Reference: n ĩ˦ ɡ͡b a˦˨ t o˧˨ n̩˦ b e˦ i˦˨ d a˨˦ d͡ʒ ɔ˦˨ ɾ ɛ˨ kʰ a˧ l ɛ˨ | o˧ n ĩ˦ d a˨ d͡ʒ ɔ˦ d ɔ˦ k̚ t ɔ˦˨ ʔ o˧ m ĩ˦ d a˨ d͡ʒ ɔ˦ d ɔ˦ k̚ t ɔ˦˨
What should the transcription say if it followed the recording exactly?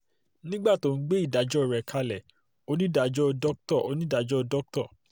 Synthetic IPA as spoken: n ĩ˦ ɡ͡b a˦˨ t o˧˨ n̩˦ ɡ͡b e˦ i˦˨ d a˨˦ d͡ʒ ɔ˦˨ ɾ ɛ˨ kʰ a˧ l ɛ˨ | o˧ n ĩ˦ d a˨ d͡ʒ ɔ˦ d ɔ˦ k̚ t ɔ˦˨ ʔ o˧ n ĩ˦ d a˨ d͡ʒ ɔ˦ d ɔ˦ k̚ t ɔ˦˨